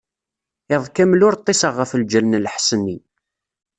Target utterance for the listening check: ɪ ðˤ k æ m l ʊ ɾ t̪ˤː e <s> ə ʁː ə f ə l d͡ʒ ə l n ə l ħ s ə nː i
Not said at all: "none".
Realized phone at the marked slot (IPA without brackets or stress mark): s